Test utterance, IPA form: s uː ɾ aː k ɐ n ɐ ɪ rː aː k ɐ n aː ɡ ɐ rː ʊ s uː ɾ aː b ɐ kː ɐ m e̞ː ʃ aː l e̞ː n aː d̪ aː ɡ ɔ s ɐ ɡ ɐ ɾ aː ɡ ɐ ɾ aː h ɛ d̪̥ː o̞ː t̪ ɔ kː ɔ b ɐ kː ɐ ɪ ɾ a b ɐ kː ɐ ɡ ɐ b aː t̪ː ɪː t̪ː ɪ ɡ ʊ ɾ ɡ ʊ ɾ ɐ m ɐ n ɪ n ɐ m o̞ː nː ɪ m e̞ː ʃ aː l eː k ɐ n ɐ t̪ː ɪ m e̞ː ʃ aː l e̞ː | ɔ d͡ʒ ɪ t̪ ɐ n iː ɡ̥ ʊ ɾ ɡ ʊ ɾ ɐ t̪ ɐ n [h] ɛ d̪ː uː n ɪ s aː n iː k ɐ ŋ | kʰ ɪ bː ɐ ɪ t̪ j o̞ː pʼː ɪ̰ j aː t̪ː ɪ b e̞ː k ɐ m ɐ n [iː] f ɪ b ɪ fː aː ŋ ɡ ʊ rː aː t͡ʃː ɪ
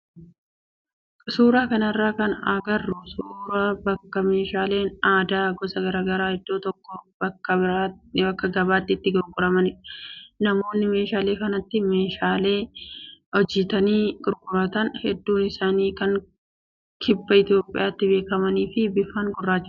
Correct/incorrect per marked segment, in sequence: correct, correct

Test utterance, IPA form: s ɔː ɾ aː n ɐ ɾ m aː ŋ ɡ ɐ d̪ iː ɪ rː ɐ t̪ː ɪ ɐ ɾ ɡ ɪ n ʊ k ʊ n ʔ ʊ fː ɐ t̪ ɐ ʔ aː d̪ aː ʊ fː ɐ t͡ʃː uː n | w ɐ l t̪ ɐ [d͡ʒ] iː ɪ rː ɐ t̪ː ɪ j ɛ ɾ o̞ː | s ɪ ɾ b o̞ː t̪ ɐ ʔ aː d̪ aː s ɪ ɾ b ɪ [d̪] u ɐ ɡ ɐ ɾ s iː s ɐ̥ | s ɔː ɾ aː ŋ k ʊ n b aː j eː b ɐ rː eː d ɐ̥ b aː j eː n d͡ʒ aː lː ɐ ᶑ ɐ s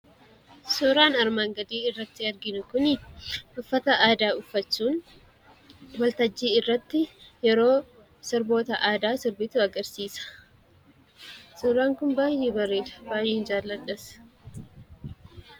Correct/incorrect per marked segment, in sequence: incorrect: d͡ʒː, incorrect: t̪

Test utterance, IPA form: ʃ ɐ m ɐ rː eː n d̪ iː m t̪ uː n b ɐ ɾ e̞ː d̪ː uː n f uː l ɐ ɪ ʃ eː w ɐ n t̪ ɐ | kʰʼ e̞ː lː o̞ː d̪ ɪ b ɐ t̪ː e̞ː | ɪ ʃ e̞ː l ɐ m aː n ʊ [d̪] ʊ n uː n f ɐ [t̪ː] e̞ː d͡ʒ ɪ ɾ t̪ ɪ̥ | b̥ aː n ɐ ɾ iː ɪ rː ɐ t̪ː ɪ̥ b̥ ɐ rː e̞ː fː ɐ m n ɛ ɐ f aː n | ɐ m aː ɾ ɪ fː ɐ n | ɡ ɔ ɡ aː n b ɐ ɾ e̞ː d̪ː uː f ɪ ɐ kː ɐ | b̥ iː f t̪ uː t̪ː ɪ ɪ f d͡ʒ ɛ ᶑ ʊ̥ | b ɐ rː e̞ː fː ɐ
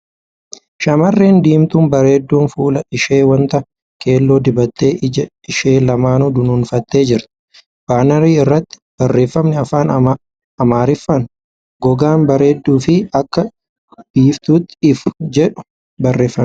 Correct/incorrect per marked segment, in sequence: correct, correct

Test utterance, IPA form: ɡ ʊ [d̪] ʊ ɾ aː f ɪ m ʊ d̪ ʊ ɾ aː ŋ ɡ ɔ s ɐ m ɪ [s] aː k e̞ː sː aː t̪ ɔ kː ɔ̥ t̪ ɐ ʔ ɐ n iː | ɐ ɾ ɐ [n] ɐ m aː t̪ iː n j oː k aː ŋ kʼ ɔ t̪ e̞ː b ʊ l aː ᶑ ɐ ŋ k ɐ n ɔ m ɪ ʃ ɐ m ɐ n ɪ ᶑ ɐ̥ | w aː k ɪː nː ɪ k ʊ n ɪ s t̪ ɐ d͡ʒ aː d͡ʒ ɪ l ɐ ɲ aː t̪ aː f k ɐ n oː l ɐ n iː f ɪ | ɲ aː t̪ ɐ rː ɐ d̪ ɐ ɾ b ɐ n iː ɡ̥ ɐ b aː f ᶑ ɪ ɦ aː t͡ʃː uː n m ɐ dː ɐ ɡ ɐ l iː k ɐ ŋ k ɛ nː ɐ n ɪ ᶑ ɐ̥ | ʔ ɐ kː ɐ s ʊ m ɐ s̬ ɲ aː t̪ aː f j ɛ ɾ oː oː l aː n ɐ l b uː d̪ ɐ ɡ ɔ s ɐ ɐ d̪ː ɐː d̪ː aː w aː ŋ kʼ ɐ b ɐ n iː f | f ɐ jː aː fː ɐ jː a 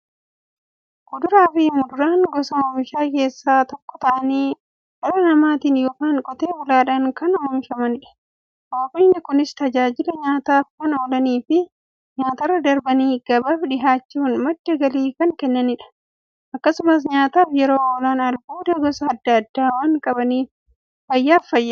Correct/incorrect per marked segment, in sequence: correct, incorrect: ʃ, correct

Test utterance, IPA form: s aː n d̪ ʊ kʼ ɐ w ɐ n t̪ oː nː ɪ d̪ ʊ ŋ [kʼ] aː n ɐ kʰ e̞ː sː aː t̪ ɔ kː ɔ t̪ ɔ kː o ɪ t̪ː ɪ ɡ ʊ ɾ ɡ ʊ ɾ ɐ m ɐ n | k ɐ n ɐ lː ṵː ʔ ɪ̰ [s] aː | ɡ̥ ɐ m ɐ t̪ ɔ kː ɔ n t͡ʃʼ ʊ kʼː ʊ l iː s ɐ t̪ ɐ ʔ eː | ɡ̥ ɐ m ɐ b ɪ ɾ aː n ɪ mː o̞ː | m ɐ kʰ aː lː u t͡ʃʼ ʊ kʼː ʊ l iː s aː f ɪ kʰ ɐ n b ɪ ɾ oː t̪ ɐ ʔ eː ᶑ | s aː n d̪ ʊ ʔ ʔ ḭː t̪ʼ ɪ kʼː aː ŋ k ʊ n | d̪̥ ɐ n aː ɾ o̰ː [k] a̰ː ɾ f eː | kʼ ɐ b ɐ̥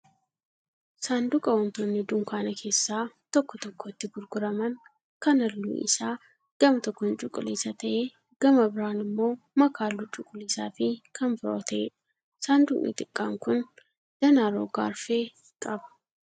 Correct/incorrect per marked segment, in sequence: incorrect: k, correct, incorrect: ɡ

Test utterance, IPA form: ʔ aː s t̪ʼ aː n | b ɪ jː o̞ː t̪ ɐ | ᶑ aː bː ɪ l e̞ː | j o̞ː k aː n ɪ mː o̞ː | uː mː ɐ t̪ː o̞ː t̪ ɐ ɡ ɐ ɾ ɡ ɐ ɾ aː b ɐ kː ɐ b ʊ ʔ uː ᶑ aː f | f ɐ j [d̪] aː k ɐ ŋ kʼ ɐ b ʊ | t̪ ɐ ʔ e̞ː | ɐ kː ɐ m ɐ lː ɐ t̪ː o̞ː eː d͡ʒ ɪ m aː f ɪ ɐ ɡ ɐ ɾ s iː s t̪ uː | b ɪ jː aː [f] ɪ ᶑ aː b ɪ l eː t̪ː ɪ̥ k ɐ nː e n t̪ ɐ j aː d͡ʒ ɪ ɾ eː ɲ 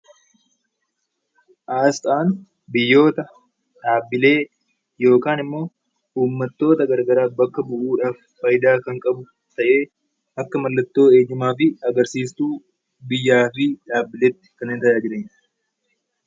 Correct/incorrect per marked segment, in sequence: correct, correct

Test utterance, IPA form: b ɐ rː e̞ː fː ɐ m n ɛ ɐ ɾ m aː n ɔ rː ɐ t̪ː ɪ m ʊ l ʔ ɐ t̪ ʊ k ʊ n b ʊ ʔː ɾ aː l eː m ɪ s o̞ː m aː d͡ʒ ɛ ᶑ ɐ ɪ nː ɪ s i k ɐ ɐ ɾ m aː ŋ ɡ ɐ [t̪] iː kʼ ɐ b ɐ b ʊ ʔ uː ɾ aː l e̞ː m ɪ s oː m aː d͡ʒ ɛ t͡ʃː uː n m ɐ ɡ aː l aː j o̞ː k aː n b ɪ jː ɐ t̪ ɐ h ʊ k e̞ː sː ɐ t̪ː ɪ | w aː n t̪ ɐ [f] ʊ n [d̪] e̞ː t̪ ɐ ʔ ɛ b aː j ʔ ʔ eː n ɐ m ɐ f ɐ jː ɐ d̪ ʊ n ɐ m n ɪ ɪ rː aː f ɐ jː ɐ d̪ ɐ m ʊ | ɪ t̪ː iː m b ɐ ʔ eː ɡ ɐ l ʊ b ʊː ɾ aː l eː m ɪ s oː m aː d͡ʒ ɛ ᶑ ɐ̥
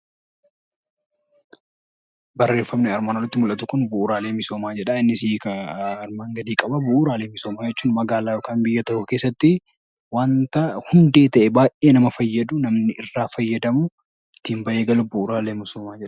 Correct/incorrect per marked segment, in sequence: incorrect: d̪, incorrect: h, correct

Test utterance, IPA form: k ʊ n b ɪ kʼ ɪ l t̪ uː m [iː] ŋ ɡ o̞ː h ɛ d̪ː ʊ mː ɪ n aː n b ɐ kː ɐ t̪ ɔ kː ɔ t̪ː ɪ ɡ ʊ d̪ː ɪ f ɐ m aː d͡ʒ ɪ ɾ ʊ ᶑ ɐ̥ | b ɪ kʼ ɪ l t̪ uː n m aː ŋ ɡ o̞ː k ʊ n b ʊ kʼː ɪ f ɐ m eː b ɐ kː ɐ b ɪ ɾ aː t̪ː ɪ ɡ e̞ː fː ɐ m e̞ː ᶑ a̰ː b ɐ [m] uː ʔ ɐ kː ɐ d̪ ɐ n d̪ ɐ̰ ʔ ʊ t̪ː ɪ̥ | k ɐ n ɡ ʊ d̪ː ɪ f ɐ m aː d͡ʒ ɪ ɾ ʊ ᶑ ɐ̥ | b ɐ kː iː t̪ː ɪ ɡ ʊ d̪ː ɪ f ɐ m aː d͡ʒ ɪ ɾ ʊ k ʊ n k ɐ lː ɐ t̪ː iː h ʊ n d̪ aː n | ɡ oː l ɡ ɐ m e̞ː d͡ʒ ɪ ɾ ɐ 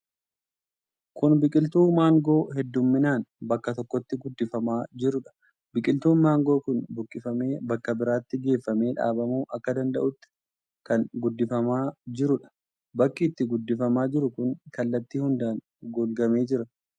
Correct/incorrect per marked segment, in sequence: incorrect: aː, correct

